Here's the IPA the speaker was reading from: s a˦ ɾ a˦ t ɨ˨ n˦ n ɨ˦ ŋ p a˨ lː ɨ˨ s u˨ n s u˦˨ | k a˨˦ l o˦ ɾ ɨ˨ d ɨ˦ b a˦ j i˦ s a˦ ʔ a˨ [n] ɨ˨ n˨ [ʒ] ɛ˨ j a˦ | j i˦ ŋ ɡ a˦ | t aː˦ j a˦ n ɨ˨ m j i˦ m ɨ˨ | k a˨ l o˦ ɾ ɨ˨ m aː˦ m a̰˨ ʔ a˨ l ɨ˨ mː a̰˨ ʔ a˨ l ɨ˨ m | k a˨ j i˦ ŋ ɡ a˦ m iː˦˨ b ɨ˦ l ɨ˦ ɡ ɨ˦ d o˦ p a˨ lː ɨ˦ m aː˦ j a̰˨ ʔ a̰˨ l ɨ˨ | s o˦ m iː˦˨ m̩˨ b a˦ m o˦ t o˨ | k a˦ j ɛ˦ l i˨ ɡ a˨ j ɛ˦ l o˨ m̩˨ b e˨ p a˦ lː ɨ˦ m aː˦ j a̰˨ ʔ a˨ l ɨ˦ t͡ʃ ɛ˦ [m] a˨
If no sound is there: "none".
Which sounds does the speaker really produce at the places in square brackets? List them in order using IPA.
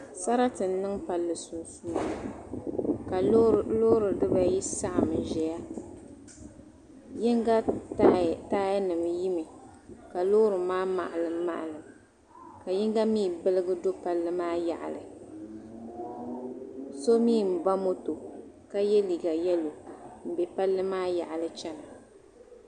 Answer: m, ʒ, n

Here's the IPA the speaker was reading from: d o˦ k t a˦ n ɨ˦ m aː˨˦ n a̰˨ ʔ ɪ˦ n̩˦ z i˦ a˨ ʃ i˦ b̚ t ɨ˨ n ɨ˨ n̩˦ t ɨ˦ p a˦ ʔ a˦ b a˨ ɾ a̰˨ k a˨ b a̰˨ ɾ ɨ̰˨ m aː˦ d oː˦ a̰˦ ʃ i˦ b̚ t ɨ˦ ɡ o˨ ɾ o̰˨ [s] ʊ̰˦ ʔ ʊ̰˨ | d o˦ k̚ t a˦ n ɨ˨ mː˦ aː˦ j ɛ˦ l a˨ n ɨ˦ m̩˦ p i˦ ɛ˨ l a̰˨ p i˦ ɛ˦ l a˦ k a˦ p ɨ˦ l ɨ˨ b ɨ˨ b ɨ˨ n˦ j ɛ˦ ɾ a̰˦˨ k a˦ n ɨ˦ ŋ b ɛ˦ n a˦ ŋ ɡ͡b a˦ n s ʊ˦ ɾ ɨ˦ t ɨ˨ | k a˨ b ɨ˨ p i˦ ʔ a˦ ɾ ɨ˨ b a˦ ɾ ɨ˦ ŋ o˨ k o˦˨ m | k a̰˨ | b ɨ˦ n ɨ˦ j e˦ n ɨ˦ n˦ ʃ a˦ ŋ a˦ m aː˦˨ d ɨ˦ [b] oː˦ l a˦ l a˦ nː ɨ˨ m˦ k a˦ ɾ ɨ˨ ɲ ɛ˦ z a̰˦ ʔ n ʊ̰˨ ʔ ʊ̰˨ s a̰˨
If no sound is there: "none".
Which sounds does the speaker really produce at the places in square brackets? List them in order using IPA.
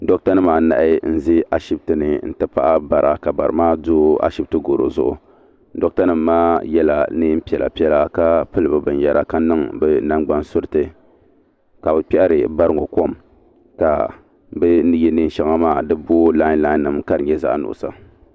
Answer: z, b

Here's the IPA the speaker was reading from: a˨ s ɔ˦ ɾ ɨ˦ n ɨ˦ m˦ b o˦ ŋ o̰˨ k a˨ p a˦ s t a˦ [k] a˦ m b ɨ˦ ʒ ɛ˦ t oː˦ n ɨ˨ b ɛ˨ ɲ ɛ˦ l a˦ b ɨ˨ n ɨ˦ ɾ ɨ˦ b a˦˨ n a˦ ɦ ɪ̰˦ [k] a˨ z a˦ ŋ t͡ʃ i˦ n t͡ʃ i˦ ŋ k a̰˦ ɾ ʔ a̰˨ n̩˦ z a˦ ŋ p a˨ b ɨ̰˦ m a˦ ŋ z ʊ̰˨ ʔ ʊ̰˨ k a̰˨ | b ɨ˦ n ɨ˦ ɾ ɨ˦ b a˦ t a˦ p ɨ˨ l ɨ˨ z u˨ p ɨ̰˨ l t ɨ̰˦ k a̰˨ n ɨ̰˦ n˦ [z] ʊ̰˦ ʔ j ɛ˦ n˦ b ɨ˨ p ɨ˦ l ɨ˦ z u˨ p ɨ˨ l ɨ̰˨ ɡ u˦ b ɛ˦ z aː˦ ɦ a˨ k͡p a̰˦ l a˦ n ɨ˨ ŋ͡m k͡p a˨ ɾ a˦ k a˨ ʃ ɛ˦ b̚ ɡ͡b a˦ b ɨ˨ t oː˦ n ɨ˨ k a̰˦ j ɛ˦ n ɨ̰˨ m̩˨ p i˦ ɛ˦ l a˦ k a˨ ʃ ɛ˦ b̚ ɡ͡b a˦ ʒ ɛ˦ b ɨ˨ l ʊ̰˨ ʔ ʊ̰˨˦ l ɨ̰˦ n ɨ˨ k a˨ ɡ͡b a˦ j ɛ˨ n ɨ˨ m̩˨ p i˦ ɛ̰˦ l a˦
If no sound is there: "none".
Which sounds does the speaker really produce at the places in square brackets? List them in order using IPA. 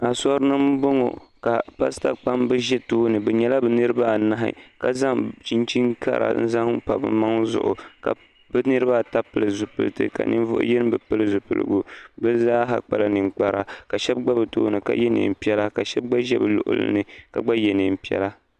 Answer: k͡p, k, v

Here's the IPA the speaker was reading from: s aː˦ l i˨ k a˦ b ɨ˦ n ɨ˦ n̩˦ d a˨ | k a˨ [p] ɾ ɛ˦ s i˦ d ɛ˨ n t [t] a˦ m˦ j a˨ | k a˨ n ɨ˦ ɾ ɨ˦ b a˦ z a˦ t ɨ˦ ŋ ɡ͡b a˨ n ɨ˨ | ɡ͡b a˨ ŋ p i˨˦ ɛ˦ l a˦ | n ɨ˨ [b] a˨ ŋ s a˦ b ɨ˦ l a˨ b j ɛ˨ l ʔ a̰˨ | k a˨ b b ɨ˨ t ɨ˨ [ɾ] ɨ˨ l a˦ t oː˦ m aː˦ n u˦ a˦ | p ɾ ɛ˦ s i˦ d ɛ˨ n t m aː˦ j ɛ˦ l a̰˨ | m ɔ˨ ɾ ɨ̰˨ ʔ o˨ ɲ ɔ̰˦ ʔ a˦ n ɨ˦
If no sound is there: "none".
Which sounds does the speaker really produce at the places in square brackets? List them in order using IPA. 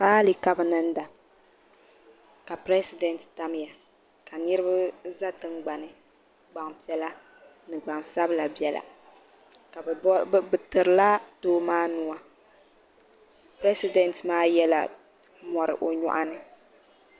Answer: p, t, ɡ͡b, ɾ

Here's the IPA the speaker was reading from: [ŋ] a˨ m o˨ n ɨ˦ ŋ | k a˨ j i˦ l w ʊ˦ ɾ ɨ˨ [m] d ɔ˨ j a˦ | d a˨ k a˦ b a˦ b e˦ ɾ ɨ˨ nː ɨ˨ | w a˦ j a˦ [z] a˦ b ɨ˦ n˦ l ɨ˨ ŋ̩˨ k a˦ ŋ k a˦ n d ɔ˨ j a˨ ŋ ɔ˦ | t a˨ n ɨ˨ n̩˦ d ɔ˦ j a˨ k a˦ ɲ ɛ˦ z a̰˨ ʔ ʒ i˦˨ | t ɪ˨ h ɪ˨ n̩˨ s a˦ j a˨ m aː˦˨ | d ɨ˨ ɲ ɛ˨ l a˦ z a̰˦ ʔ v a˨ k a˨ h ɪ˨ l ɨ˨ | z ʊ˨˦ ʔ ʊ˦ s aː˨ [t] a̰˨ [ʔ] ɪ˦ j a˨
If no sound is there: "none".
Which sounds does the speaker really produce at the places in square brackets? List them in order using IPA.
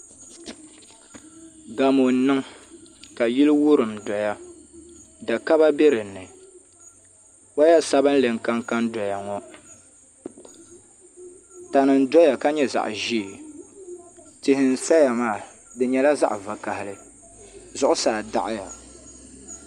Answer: ɡ, m, s, d, ʔ

